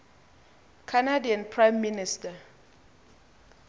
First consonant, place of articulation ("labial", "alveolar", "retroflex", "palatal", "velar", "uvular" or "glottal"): velar